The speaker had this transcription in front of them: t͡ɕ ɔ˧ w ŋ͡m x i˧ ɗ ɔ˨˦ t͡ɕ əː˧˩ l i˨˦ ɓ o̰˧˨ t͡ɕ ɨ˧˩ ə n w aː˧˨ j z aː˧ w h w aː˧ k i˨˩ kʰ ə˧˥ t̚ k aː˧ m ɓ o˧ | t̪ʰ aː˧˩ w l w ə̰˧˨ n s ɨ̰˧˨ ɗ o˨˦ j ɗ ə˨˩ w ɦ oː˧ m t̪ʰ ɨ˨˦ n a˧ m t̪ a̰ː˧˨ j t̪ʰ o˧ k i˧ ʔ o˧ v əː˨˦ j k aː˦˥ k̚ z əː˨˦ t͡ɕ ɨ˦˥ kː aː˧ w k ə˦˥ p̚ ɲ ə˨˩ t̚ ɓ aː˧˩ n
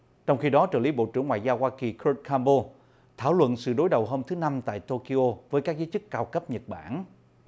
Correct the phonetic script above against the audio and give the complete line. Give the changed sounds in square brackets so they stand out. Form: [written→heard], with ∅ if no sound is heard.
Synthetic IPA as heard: t͡ɕ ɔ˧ w ŋ͡m x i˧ ɗ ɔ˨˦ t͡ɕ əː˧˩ l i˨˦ ɓ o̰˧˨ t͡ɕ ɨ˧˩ ə [n→ŋ] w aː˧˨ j z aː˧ w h w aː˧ k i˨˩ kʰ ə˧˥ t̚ k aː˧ m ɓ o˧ | t̪ʰ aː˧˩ w l w ə̰˧˨ n s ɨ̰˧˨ ɗ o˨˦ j ɗ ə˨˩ w ɦ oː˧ m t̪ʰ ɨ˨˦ n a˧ m t̪ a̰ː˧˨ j [t̪ʰ→t̪] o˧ k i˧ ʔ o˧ v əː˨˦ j k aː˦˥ k̚ z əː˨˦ t͡ɕ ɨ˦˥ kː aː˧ w k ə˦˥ p̚ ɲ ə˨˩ t̚ ɓ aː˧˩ n

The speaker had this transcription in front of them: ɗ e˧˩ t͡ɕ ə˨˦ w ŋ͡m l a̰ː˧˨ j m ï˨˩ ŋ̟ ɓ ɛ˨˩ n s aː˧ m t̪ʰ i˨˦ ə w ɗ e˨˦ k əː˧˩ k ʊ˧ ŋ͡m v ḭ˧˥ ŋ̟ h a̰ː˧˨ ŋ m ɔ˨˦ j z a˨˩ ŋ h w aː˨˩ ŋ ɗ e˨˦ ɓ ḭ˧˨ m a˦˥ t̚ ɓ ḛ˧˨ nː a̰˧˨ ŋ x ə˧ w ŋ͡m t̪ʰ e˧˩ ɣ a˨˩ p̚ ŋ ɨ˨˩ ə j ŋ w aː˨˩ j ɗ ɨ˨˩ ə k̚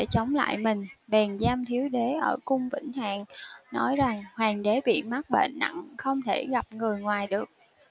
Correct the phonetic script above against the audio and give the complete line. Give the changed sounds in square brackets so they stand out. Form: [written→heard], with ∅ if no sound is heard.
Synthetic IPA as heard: ɗ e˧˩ t͡ɕ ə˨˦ w ŋ͡m l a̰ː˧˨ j m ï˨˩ ŋ̟ ɓ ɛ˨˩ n [s→z] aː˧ m t̪ʰ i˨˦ ə w ɗ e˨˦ [k→ʔ] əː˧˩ k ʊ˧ ŋ͡m v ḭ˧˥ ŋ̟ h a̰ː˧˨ ŋ [m→n] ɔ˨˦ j z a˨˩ ŋ h w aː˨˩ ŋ ɗ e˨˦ ɓ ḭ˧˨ m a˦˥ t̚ ɓ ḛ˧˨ nː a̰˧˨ ŋ x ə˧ w ŋ͡m t̪ʰ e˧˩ ɣ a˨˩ p̚ ŋ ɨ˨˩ ə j ŋ w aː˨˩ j ɗ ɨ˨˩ ə k̚

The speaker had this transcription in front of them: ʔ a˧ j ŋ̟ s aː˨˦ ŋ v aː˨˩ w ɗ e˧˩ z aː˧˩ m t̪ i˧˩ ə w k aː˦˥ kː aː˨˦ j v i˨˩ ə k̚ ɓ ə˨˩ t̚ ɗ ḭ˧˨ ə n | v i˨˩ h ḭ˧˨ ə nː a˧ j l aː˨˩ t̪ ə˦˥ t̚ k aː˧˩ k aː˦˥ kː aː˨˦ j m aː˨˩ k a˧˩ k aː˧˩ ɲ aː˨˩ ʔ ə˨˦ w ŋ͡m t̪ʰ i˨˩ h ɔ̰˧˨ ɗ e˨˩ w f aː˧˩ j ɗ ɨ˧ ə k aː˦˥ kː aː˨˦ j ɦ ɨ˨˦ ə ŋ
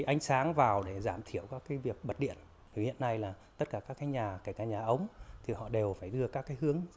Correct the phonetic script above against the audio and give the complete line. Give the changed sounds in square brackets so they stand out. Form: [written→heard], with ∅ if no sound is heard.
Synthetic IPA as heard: ʔ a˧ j ŋ̟ s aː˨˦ ŋ v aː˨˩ w ɗ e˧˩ z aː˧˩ m [t̪→t̪ʰ] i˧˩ ə w k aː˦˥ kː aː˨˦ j v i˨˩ ə k̚ ɓ ə˨˩ t̚ ɗ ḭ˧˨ ə n | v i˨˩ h ḭ˧˨ ə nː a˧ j l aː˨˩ t̪ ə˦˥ t̚ k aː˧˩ k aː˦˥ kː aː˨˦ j [m→ɲ] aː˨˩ k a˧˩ k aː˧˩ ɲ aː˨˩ ʔ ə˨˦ w ŋ͡m t̪ʰ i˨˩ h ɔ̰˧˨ ɗ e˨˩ w f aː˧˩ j ɗ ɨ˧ ə k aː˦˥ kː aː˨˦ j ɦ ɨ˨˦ ə ŋ

